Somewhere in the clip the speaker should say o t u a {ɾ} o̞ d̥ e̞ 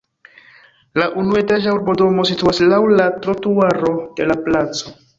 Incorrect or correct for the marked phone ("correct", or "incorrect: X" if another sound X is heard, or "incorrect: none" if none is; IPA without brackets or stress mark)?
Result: correct